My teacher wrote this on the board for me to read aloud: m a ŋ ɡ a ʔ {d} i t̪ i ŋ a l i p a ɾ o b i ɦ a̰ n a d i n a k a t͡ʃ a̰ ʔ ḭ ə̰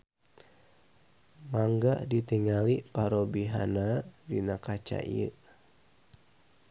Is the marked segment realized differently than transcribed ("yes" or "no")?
no